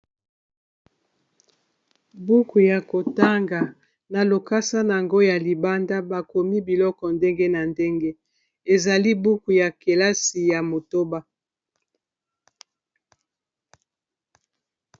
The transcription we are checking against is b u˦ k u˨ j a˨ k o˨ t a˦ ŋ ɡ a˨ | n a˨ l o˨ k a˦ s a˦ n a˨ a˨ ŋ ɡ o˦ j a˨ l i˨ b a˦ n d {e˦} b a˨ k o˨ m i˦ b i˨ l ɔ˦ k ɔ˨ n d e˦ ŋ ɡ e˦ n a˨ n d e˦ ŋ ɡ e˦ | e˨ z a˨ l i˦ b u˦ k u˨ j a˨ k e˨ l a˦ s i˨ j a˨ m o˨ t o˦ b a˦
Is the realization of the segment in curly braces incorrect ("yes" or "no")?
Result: yes